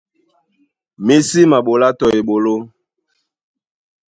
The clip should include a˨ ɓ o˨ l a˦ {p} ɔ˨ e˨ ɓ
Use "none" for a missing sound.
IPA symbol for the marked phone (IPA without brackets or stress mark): t